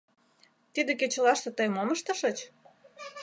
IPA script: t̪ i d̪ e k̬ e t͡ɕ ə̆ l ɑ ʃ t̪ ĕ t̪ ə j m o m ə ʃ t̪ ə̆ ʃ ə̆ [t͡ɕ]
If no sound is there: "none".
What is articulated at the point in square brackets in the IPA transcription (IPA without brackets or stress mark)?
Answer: t͡ɕ